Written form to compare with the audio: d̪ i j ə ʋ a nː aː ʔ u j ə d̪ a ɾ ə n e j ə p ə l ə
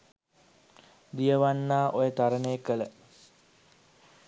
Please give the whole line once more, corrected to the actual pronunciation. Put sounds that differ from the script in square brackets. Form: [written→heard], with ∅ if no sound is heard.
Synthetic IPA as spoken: d̪ i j ə ʋ a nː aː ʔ [u→o] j ə [d̪→t̪] a ɾ ə n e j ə [p→k] ə l ə